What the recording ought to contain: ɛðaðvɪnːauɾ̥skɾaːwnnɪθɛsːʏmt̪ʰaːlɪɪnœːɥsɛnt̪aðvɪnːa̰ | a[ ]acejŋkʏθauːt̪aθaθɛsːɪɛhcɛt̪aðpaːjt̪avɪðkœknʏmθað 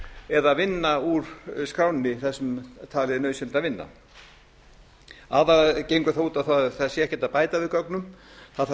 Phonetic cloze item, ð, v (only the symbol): ð